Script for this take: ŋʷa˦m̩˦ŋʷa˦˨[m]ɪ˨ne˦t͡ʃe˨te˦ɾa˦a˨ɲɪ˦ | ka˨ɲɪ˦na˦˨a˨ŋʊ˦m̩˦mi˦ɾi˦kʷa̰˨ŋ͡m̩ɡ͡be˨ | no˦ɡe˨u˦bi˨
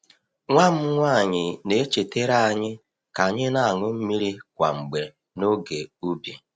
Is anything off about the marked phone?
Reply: yes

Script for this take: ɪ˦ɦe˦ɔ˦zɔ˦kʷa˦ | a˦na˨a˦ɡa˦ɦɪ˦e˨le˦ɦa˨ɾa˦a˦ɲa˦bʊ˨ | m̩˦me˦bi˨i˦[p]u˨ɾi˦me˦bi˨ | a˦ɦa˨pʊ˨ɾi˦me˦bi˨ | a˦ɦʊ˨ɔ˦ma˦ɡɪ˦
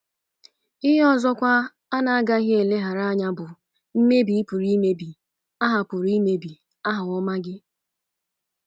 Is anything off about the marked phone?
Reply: no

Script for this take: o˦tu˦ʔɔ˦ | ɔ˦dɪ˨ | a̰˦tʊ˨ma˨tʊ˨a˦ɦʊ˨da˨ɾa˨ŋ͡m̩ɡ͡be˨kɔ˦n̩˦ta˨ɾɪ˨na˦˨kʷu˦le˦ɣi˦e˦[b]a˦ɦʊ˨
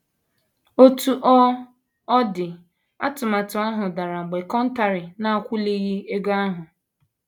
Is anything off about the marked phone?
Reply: yes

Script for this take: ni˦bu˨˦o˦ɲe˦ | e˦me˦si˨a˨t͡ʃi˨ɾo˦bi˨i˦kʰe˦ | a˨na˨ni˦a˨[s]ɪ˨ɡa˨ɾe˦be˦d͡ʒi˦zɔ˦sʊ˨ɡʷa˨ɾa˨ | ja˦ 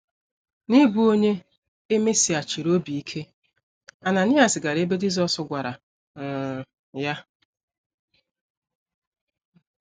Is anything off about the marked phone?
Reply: no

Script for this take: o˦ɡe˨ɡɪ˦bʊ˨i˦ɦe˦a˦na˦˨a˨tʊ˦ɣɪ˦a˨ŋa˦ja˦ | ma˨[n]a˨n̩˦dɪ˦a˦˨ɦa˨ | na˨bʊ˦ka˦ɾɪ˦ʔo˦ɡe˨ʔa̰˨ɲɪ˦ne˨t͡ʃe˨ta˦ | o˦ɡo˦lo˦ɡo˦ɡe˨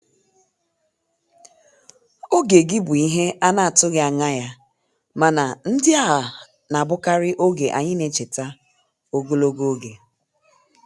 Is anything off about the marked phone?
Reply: no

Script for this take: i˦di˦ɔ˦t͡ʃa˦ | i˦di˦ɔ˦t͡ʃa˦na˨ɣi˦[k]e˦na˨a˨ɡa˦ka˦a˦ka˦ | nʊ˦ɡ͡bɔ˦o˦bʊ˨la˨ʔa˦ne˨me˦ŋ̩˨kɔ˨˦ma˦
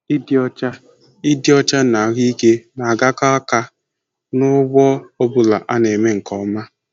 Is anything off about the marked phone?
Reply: no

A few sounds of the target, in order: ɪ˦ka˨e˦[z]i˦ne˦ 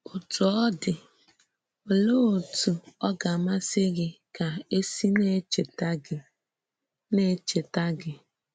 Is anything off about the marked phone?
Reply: yes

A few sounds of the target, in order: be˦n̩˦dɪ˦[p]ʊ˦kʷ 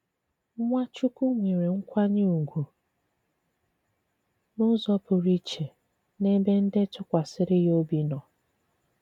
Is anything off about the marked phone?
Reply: yes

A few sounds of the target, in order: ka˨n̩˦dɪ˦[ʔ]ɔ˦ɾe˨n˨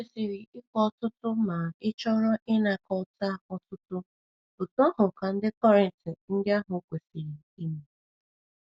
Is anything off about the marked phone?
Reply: yes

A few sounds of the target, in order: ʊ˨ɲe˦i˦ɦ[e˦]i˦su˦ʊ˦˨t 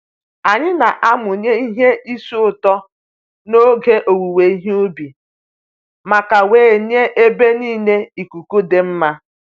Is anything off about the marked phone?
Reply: no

